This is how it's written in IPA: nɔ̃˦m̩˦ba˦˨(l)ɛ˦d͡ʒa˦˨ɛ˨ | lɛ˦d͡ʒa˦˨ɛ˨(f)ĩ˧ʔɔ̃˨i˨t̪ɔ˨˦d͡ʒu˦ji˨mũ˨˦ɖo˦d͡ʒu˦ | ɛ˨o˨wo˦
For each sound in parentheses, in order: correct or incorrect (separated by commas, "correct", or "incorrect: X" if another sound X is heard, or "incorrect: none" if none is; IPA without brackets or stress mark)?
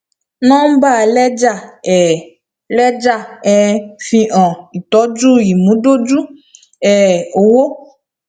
correct, correct